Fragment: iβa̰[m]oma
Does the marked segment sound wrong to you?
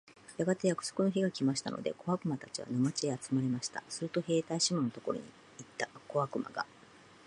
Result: yes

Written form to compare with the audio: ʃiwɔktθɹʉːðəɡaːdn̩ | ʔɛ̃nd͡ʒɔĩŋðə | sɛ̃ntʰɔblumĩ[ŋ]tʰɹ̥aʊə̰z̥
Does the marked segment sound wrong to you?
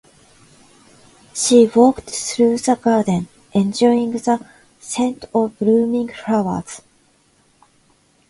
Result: no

